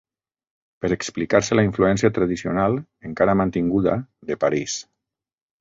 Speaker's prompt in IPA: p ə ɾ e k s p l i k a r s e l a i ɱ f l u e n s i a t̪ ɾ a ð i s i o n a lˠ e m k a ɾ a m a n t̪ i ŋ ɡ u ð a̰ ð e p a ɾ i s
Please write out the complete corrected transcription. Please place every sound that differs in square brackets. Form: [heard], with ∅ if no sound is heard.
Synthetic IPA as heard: p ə ɾ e k s p l i k a [ɾ] s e l a i ɱ f l u [ɛ] n s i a t̪ ɾ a ð i s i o n a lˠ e [ŋ] k a ɾ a m a n t̪ i ŋ ɡ u ð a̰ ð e p a ɾ i s